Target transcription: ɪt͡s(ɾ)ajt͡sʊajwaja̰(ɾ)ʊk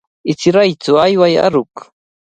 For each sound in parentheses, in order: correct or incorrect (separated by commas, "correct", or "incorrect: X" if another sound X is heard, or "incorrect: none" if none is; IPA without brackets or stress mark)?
correct, correct